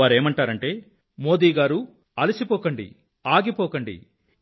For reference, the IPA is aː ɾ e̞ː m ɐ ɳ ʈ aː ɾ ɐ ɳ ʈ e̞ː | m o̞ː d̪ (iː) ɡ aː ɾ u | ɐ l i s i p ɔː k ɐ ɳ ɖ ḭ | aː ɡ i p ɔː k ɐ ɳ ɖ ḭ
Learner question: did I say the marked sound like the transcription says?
yes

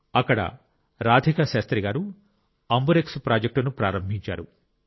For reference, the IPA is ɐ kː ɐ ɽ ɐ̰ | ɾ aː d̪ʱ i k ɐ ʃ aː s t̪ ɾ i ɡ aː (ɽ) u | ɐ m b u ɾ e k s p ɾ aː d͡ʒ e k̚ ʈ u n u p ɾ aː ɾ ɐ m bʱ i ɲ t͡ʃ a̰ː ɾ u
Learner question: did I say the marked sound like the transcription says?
no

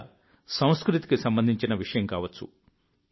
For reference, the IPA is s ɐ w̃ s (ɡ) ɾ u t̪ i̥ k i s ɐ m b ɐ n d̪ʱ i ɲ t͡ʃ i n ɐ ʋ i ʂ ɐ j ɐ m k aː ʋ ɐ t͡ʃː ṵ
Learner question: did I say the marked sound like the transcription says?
no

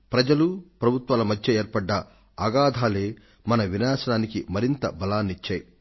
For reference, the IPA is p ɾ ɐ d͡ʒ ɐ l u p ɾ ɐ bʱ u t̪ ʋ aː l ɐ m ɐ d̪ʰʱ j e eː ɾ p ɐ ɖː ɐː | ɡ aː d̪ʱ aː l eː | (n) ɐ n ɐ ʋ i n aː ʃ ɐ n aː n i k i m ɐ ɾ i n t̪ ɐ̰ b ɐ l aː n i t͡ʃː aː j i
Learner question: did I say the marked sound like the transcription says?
no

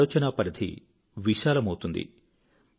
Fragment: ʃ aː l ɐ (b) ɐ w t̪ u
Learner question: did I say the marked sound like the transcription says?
no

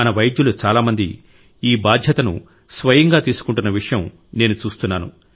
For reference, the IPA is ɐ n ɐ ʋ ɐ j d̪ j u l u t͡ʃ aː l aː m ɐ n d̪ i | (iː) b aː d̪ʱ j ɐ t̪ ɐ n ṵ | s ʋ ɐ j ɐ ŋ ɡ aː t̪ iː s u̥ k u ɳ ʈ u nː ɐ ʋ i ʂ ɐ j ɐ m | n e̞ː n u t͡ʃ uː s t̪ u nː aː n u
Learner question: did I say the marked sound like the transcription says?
yes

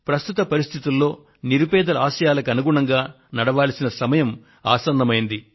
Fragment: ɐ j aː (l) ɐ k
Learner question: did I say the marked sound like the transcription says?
yes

